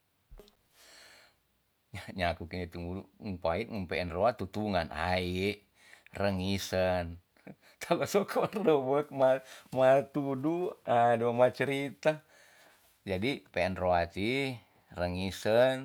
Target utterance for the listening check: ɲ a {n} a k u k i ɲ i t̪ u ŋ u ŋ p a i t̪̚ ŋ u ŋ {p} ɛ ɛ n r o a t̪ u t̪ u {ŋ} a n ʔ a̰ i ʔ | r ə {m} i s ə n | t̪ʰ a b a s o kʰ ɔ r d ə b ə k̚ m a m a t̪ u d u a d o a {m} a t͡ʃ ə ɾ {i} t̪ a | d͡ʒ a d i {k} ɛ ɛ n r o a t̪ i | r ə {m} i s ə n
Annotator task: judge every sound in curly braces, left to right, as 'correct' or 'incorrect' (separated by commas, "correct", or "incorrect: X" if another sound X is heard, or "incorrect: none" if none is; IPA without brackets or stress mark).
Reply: incorrect: ɲ, correct, correct, incorrect: ŋ, correct, correct, incorrect: p, incorrect: ŋ